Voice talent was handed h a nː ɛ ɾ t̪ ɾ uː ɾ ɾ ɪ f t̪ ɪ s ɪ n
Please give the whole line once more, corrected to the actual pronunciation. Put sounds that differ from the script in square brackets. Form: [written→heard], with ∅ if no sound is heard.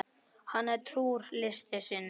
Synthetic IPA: h a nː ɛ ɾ [t̪→t̪ʰ] ɾ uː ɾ [ɾ→l] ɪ [f→s] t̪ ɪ s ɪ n